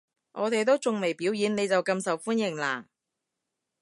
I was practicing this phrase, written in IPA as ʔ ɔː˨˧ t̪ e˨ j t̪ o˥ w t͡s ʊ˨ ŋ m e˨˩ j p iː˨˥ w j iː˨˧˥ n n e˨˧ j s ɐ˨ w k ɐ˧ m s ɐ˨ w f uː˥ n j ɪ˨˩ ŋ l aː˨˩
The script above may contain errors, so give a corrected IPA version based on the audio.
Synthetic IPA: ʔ ɔː˨˧ t̪ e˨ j t̪ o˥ w t͡s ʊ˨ ŋ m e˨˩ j p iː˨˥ w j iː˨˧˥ n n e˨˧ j t͡s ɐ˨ w k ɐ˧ m s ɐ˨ w f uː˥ n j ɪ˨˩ ŋ l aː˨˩